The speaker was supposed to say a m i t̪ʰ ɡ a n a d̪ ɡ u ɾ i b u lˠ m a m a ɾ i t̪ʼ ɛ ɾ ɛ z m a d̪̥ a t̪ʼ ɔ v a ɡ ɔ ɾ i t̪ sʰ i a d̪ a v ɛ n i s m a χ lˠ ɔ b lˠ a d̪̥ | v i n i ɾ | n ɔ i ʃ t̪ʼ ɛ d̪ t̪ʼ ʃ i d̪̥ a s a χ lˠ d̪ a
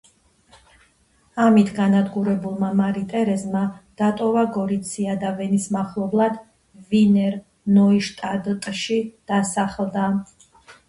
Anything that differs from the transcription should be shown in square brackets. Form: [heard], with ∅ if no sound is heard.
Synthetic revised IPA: a m i t̪ʰ ɡ a n a d̪ ɡ u ɾ [ɛ] b u lˠ m a m a ɾ i t̪ʼ ɛ ɾ ɛ z m a d̪̥ a t̪ʼ ɔ v a ɡ ɔ ɾ i t̪ sʰ i a d̪ a v ɛ n i s m a χ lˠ ɔ b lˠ a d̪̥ | v i n [ɛ] ɾ | n ɔ i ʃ t̪ʼ [a] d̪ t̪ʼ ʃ i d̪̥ a s a χ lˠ d̪ a